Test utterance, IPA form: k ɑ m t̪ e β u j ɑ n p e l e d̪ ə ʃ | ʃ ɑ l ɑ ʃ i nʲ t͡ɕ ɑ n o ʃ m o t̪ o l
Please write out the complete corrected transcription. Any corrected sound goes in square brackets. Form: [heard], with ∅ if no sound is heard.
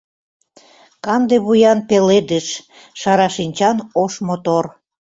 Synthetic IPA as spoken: k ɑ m [d̪] e β u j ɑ n p e l e d̪ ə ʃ | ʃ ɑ [ɾ] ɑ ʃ i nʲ t͡ɕ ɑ n o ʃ m o t̪ o [r]